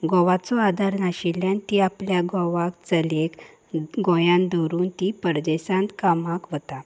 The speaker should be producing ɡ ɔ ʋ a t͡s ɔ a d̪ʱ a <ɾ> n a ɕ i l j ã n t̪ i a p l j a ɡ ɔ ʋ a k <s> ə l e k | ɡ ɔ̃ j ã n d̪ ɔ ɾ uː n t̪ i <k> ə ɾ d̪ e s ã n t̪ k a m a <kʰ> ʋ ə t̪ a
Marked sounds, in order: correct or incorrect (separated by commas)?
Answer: correct, incorrect, incorrect, incorrect